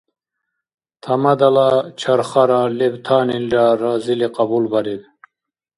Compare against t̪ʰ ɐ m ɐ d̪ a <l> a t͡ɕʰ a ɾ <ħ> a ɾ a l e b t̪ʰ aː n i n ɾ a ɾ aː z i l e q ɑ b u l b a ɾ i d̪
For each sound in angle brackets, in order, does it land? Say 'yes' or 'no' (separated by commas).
yes, no